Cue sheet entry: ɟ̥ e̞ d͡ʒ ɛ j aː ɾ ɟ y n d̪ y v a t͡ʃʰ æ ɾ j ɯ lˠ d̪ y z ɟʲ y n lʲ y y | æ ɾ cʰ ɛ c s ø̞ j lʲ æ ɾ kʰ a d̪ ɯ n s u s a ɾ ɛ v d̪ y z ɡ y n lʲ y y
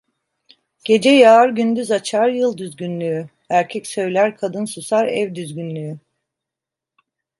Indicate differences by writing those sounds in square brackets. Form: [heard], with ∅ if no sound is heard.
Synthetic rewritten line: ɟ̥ e̞ d͡ʒ ɛ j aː ɾ ɟ y n d̪ y [z] a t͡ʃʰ [a] ɾ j ɯ lˠ d̪ y z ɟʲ y n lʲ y y | æ ɾ cʰ ɛ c s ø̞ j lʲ æ ɾ kʰ a d̪ ɯ n s u s a ɾ ɛ v d̪ y z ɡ y n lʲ y y